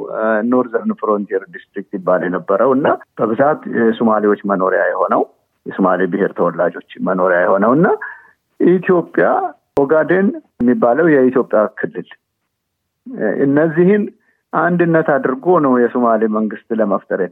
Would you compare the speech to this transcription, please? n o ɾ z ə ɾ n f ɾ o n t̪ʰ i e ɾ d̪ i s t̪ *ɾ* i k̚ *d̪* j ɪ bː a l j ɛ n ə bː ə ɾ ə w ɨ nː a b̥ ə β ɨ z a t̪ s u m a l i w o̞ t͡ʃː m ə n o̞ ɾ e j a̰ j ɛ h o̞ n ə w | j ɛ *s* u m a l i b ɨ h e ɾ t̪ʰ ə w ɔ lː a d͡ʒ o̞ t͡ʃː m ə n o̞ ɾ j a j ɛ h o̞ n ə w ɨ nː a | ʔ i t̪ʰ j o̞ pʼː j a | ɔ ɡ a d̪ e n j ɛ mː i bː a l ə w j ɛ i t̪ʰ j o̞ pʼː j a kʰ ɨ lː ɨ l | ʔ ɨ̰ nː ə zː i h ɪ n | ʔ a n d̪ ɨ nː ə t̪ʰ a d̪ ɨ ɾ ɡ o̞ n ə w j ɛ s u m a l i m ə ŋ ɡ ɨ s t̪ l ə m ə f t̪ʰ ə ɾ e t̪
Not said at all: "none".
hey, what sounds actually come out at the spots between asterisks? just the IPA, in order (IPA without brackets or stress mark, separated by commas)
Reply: ɾ, t̪, s